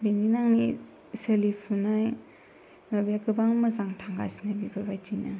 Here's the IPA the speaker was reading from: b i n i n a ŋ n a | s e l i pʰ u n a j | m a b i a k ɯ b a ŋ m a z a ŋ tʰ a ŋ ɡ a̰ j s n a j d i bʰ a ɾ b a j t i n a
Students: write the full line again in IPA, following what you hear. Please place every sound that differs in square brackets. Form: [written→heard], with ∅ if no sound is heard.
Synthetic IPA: b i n i n a ŋ n [a→i] | s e l i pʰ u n a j | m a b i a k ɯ b a ŋ m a z a ŋ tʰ a ŋ ɡ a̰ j s n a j [d→b] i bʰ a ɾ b a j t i n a